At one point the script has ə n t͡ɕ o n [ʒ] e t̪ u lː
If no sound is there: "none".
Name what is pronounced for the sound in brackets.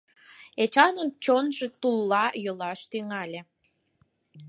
ʒ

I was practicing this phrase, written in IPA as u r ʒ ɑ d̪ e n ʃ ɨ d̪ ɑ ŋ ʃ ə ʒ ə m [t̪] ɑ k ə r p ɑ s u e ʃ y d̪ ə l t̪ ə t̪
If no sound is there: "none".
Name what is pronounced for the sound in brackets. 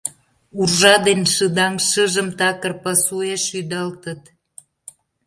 t̪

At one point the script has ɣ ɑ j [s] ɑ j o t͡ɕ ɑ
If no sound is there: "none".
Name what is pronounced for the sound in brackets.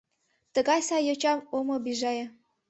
s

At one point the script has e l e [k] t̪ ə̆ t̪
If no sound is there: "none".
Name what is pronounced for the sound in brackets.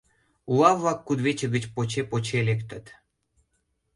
k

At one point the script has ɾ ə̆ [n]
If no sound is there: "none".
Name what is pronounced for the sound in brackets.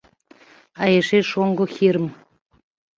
m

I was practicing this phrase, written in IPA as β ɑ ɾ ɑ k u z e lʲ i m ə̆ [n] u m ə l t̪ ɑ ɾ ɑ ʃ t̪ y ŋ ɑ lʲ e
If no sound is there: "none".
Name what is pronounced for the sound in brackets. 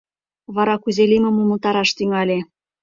m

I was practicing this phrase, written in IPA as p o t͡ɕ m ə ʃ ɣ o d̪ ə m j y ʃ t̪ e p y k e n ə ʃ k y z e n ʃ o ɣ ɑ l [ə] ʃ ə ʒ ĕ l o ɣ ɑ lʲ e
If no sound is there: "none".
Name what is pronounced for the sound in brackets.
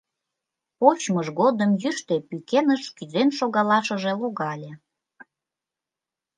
ɑ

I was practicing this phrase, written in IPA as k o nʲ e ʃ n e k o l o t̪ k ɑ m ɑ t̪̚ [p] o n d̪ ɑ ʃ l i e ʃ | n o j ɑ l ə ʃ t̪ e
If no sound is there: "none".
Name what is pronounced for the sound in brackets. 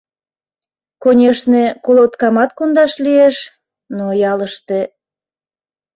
k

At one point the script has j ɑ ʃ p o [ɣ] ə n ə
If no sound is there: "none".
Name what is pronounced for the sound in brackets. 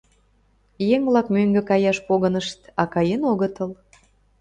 ɣ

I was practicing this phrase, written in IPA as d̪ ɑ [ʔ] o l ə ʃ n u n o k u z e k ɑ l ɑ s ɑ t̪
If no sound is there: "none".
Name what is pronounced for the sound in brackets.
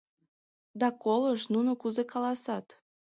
k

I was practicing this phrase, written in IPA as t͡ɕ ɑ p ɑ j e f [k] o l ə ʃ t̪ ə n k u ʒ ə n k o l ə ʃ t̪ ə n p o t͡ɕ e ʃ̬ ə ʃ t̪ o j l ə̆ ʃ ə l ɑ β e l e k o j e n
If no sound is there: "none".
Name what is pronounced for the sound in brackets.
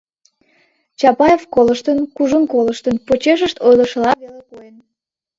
k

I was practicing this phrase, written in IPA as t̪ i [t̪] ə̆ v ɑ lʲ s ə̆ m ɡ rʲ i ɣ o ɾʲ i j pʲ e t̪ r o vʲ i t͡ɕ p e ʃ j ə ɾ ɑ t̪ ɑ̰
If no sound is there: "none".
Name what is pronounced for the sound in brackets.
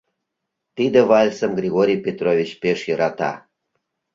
d̪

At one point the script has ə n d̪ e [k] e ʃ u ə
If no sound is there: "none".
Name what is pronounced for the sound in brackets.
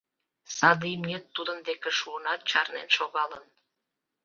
k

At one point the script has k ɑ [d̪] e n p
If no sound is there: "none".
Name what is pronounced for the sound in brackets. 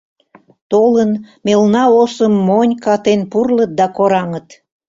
t̪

